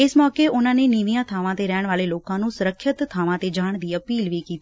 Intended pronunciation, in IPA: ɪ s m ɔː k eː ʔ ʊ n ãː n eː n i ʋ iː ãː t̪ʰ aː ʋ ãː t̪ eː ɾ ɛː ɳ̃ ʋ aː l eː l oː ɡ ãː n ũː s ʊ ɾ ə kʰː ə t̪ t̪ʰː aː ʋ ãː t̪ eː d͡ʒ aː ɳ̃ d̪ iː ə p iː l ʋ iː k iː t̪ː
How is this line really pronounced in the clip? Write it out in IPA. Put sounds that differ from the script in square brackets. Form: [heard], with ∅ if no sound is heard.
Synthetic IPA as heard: ɪ s m ɔː k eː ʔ ʊ n ãː n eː n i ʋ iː ãː t̪ʰ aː ʋ ãː t̪ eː ɾ ɛː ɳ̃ ʋ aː l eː l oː [k] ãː n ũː s ʊ ɾ ə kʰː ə t̪ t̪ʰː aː ʋ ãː t̪ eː d͡ʒ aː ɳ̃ d̪ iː ə p iː l ʋ iː k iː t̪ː